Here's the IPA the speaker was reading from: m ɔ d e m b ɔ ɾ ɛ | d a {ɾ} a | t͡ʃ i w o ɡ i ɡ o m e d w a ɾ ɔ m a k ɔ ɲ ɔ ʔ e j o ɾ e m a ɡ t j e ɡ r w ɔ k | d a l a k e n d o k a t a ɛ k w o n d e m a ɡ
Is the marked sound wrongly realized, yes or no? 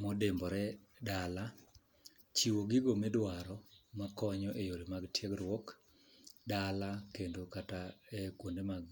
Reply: yes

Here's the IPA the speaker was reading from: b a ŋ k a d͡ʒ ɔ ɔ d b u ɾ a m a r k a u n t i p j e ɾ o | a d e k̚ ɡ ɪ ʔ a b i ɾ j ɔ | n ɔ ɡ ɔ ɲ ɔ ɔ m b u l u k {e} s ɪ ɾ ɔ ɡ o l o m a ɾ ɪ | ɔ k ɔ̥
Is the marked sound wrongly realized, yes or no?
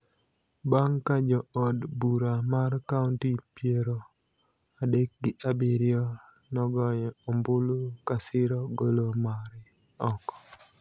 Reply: yes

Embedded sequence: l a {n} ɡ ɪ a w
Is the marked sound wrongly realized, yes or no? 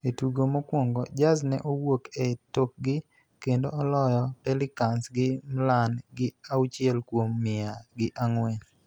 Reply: no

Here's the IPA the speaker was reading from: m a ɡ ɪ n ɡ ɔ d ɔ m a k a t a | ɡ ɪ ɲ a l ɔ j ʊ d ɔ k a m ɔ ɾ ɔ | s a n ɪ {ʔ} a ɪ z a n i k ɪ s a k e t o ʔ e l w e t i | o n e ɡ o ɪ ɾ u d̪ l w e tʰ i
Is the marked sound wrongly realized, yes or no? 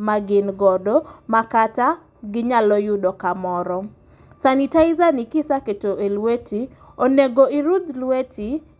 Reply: yes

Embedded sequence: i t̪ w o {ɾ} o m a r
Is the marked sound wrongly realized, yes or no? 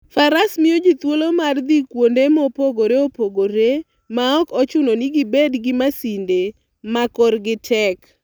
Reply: yes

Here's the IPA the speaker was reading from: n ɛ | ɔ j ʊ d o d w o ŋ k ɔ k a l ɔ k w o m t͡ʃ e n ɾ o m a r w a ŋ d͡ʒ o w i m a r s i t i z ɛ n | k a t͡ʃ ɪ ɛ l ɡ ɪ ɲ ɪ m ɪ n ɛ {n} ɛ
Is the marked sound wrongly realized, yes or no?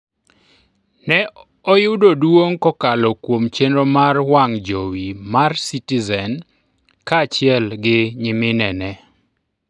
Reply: no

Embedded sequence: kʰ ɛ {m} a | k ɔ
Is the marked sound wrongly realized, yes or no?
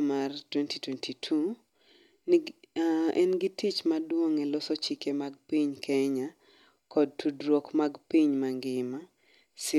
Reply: yes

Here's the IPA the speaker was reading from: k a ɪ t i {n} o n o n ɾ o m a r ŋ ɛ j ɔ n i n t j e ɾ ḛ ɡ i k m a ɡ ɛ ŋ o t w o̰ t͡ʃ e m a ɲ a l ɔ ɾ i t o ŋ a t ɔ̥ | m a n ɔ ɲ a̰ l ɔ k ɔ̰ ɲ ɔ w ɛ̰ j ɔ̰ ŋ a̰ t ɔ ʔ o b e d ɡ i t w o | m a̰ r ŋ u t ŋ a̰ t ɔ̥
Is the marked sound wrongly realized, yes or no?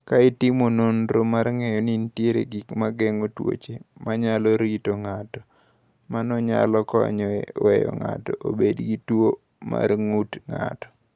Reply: yes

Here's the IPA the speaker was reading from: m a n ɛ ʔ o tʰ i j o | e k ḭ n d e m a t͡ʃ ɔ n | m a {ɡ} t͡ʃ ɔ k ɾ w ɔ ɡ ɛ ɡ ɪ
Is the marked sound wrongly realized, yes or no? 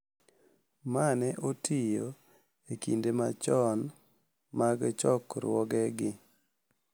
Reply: no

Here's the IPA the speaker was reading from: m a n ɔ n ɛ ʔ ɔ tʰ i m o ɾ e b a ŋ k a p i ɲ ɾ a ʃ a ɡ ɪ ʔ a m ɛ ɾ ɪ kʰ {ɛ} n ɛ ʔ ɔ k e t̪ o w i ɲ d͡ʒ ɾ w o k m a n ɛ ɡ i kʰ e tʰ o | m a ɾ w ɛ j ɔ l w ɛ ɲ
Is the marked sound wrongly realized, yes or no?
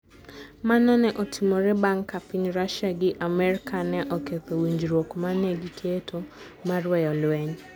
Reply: yes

